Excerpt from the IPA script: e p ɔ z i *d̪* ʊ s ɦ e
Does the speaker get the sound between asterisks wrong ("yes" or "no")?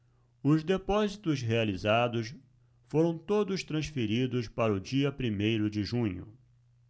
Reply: yes